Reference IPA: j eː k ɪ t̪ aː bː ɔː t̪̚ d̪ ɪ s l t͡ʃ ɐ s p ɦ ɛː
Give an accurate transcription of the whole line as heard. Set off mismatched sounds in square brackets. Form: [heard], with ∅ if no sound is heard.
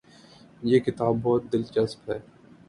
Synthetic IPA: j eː k ɪ t̪ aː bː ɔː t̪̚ d̪ ɪ [∅] l t͡ʃ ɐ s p ɦ ɛː